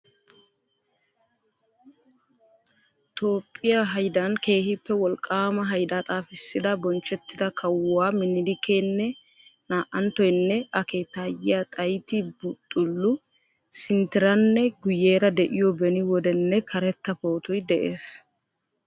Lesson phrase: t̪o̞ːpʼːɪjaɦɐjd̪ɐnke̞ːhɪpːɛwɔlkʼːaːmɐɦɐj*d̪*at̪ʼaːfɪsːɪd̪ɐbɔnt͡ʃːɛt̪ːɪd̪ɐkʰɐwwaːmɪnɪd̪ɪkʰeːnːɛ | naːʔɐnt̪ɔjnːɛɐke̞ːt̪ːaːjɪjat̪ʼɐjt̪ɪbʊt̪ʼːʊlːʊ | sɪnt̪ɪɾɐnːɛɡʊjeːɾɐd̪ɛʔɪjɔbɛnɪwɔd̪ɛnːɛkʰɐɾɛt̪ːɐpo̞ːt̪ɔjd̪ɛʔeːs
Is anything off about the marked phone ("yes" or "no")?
no